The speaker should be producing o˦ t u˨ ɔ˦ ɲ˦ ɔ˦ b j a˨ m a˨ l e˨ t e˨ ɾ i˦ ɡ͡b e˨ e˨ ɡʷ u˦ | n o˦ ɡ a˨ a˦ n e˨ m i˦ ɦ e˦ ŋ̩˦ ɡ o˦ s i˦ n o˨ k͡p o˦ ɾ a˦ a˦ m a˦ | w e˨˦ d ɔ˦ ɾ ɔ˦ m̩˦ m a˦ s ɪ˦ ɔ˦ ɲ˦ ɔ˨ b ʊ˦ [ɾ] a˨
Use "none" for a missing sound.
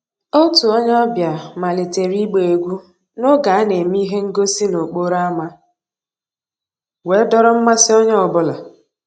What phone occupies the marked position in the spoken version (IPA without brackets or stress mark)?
l